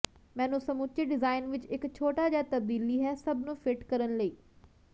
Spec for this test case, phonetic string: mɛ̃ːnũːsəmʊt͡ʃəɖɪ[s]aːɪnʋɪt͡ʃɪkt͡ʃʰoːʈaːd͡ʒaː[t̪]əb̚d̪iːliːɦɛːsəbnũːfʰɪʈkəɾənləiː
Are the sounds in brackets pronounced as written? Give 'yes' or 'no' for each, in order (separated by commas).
no, yes